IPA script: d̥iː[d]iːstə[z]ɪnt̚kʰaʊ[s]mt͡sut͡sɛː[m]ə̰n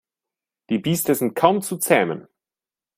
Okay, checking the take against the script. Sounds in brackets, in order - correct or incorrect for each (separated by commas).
incorrect, correct, incorrect, correct